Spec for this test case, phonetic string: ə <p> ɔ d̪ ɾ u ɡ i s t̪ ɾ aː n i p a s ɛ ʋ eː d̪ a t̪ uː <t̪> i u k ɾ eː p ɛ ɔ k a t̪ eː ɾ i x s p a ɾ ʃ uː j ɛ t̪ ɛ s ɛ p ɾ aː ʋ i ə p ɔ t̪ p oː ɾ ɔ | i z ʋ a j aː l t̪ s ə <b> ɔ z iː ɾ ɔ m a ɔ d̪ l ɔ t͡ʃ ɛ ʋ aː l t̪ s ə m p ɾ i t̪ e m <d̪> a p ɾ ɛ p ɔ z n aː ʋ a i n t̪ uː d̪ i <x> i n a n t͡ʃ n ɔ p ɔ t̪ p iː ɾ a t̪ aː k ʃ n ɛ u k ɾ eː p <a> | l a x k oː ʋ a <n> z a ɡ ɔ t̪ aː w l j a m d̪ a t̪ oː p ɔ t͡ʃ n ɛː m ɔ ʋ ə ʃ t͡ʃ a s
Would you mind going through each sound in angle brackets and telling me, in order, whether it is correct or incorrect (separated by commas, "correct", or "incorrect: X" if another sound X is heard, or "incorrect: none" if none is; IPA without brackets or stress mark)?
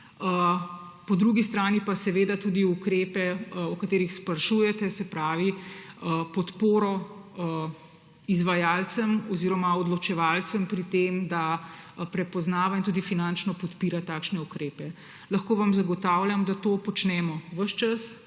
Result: correct, incorrect: d̪, incorrect: m, correct, incorrect: f, incorrect: ɛ, incorrect: m